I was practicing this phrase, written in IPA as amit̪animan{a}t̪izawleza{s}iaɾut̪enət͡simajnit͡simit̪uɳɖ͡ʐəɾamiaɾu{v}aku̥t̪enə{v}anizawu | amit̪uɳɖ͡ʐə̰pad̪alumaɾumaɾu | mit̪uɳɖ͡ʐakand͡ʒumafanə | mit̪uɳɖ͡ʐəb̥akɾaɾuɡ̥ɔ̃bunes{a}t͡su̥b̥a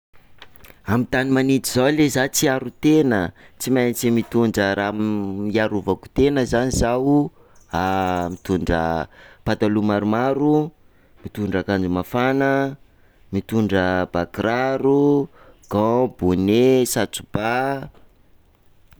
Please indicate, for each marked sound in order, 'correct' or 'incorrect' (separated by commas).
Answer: incorrect, incorrect, correct, incorrect, correct